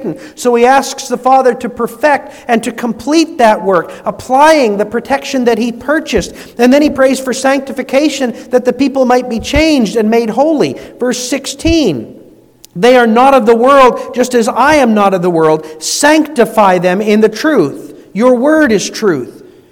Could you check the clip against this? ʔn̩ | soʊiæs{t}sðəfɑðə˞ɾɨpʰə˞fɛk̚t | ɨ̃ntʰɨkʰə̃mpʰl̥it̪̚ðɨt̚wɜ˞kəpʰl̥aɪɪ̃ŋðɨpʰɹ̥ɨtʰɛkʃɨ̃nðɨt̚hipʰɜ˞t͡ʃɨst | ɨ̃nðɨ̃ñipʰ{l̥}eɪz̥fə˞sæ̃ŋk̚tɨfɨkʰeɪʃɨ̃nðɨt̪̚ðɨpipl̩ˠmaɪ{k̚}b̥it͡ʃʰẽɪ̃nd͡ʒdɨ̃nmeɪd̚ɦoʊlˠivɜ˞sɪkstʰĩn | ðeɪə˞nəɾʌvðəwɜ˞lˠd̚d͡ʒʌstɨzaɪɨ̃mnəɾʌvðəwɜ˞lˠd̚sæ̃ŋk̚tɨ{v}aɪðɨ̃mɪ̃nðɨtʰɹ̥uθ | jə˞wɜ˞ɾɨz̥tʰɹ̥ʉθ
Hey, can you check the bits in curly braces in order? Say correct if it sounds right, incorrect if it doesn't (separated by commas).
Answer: incorrect, incorrect, incorrect, incorrect